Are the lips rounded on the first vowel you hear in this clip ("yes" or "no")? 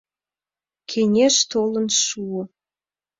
no